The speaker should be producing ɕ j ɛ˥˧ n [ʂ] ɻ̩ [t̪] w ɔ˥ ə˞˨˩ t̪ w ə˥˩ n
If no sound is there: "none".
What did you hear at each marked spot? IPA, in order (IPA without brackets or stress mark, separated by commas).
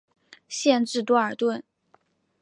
ʈ͡ʂ, t̪